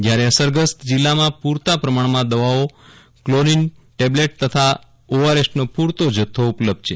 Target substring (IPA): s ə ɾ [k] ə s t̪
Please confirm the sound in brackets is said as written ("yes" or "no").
no